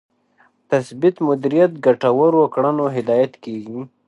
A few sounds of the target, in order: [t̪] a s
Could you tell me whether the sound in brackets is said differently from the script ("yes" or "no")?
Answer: no